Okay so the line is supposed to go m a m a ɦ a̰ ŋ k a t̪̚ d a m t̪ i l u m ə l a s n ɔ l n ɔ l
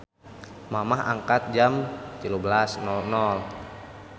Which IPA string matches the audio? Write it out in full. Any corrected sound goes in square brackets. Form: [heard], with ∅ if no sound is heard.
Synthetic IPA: m a m a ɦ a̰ ŋ k a t̪̚ [d͡ʒ] a m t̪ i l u [b] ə l a s n ɔ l n ɔ l